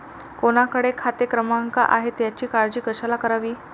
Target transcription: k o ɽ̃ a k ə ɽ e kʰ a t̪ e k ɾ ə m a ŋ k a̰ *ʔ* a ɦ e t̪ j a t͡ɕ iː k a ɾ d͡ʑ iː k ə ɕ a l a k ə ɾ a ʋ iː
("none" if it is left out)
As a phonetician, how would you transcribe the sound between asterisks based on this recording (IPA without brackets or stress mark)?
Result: ʔ